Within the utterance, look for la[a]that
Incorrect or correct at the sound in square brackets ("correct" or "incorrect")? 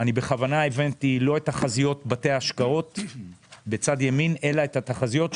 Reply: incorrect